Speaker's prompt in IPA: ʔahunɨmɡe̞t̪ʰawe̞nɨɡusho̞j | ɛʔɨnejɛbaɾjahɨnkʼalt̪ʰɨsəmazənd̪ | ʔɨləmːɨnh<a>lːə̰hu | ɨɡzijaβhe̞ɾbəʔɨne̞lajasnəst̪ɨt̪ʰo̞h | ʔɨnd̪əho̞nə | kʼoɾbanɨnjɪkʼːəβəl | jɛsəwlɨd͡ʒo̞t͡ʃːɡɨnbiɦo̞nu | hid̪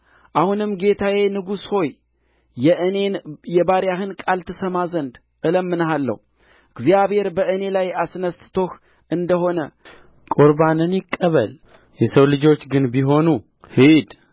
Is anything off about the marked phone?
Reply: no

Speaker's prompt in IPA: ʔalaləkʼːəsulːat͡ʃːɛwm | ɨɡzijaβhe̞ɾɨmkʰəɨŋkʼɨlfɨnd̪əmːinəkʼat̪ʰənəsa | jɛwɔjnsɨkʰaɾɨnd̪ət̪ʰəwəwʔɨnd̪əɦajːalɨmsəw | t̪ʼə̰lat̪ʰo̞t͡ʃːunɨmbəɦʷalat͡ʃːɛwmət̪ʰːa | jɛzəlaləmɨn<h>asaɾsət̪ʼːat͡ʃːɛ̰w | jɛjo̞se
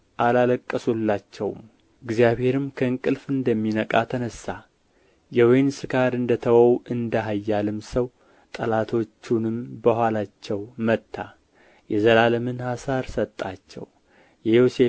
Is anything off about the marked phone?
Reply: no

